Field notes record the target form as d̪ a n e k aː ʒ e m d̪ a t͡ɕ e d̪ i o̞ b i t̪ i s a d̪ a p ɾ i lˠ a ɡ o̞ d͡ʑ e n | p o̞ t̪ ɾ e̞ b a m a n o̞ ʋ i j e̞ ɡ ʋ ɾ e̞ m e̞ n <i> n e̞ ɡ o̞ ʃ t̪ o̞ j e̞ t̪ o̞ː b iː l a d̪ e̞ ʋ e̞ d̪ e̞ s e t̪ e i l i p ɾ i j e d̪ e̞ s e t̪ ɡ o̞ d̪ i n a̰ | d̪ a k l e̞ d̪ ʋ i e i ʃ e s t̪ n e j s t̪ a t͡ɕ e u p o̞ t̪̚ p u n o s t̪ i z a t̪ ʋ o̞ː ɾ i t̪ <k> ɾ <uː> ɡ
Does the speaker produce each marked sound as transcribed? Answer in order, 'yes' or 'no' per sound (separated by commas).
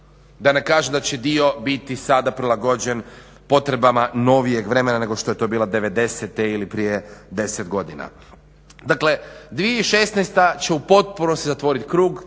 no, yes, yes